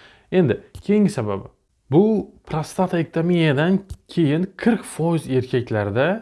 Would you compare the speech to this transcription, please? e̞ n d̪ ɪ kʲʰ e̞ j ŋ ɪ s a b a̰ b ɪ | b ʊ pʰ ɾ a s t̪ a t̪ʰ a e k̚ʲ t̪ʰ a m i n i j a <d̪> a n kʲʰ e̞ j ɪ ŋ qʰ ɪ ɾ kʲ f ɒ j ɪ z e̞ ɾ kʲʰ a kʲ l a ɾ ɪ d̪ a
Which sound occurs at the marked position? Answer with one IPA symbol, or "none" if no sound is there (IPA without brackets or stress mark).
d̪